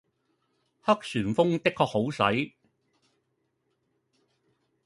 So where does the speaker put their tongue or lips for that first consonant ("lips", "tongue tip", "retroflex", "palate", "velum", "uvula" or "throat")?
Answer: throat